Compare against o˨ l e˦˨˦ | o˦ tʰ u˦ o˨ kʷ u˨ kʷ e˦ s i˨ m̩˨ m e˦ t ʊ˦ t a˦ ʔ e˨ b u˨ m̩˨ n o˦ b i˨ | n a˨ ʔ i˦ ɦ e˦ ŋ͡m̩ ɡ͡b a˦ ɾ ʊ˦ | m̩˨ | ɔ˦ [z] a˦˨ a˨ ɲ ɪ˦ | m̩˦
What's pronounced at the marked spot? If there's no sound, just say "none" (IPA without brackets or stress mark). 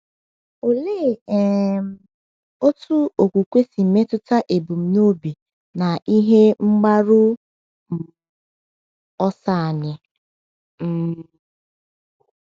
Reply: s